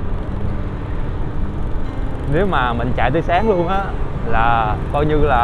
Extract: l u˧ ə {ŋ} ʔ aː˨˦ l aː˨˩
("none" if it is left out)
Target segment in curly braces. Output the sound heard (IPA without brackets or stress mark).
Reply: n